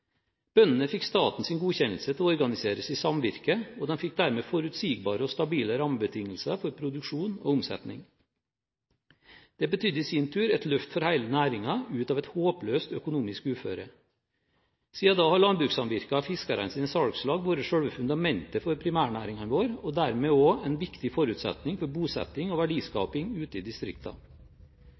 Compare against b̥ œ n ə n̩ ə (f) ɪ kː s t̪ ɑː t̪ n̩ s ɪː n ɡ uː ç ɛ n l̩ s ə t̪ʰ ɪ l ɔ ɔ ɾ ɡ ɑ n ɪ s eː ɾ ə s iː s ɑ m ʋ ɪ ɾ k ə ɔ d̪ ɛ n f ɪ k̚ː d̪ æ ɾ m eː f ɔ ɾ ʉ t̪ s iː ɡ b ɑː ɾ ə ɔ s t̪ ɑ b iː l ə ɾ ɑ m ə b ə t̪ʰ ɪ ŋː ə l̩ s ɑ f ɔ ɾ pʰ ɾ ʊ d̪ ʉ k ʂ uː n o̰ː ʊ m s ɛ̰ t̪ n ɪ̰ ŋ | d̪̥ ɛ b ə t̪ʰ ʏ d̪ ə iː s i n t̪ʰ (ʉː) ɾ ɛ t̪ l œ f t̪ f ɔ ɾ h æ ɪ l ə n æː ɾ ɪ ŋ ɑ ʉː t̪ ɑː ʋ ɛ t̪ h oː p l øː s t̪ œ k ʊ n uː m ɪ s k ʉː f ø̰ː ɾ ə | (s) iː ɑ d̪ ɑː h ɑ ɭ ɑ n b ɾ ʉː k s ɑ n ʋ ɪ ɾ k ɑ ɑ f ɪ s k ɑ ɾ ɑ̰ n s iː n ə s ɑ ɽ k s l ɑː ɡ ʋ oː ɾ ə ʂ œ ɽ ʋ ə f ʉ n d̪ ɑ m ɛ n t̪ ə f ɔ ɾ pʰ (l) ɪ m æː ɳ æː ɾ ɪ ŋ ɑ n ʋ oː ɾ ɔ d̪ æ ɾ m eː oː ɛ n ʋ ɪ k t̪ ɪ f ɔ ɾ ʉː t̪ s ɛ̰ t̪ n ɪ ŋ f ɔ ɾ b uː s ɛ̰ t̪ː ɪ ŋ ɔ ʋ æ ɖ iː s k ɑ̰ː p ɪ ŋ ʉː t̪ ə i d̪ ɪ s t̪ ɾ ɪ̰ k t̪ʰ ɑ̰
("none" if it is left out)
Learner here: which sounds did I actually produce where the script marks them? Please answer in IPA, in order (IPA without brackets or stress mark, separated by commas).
f, ʉː, s, ɾ